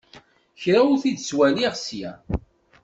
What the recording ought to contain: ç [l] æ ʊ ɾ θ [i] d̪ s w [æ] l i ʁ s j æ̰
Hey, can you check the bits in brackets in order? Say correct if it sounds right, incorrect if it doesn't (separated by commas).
incorrect, correct, correct